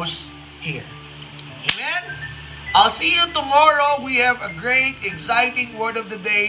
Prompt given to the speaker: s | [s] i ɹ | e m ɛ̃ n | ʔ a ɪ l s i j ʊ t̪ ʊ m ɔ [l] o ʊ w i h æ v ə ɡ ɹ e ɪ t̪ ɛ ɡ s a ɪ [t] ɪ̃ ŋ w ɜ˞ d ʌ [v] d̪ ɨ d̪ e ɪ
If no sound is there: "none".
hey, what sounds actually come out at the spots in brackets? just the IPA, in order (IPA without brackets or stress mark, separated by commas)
h, ɹ, t, v